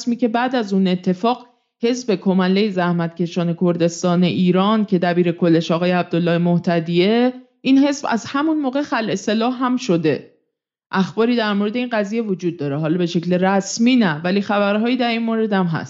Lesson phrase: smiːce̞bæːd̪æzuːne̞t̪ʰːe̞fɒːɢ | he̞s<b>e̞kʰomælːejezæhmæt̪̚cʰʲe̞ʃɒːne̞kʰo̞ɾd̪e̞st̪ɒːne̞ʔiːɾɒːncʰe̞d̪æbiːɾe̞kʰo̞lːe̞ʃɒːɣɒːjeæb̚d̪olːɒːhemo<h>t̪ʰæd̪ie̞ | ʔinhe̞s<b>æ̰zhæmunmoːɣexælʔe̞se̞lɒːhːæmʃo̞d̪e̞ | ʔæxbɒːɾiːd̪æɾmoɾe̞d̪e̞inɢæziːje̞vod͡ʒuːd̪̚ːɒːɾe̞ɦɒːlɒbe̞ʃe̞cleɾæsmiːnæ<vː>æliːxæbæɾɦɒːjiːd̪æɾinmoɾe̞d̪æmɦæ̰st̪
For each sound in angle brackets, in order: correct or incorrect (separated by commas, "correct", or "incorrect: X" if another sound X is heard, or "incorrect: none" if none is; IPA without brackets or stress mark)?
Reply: correct, correct, correct, incorrect: v